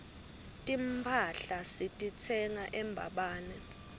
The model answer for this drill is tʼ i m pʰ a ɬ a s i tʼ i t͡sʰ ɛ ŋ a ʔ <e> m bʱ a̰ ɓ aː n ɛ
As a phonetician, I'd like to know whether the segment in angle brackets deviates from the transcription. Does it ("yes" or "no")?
yes